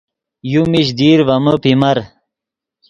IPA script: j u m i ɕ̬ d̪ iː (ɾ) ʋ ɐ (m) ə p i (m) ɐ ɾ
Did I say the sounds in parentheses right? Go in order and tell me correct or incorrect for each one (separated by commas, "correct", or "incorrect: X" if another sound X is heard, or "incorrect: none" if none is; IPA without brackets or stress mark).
correct, correct, correct